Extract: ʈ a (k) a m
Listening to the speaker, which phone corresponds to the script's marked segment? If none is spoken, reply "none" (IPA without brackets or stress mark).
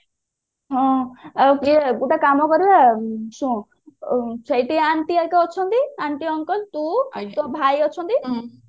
k